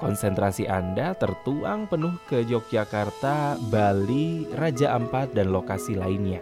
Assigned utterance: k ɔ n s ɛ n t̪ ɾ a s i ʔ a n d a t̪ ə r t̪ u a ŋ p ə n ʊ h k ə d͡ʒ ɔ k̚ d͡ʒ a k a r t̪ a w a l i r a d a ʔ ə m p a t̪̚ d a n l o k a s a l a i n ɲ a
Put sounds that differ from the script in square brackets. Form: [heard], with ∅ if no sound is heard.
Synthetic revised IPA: k ɔ n s ɛ n t̪ ɾ a s i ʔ a n d a t̪ ə r t̪ u a ŋ p ə n ʊ h k ə d͡ʒ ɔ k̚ d͡ʒ a k a r t̪ a [b] a l i r a [d͡ʒ] a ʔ ə m p a t̪̚ d a n l o k a s [i] l a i n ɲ a